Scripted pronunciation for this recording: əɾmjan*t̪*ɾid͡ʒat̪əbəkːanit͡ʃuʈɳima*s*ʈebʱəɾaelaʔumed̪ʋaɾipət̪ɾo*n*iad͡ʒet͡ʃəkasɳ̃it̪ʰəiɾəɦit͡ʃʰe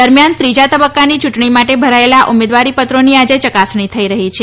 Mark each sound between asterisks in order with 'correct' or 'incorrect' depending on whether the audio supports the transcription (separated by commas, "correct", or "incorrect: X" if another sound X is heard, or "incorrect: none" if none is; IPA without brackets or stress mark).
correct, incorrect: none, correct